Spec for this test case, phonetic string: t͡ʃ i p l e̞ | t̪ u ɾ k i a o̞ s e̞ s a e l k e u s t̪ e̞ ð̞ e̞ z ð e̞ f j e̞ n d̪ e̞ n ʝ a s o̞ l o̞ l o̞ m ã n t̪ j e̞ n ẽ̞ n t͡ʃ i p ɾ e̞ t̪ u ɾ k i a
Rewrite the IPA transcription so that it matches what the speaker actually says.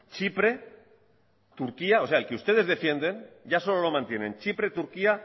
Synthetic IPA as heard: t͡ʃ i p ɾ e̞ | t̪ u ɾ k i a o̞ s e̞ a e l k e u s t̪ e̞ ð̞ e̞ z ð e̞ f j e̞ n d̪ e̞ n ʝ a s o̞ l o̞ l o̞ m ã n t̪ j e̞ n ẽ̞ n t͡ʃ i p ɾ e̞ t̪ u ɾ k i a